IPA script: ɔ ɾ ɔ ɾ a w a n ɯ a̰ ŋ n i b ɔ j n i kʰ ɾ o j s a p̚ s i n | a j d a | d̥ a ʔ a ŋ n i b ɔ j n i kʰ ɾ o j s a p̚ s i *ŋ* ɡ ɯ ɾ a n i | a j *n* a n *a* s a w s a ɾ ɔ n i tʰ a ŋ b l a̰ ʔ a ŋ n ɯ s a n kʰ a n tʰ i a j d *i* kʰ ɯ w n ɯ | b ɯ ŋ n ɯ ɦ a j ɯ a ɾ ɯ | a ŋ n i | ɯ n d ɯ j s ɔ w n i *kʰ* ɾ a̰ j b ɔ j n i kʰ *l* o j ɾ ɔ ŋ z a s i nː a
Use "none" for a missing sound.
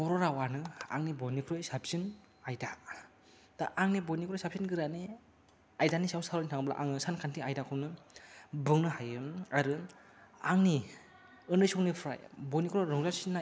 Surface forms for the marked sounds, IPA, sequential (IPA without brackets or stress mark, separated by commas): n, d, i, a, pʰ, ɾ